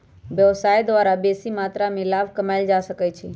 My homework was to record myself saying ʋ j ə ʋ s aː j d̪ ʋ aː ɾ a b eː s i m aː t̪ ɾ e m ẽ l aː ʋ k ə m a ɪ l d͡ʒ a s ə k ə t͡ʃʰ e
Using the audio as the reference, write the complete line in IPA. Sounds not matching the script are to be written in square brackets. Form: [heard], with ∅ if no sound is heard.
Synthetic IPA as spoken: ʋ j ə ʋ s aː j d̪ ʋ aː ɾ a b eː s i m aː t̪ ɾ [a] m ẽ l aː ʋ k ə m a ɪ l d͡ʒ a s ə k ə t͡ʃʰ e